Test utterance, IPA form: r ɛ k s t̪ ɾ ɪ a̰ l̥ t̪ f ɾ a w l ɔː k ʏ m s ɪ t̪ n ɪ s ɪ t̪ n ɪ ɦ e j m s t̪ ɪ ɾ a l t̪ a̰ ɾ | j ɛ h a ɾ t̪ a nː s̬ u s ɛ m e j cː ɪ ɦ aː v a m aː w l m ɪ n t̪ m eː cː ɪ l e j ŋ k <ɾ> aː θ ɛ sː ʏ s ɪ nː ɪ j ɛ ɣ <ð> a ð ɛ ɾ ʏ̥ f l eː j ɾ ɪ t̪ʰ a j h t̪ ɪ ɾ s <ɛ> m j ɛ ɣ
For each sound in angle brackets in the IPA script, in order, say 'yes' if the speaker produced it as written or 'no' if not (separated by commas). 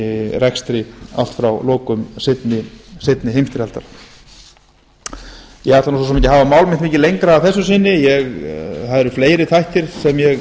yes, no, yes